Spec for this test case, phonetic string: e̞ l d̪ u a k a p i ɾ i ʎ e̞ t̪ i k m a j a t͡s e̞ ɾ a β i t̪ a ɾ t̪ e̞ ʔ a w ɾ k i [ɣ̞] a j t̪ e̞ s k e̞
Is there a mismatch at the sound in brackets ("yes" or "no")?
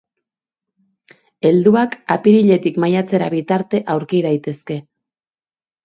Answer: yes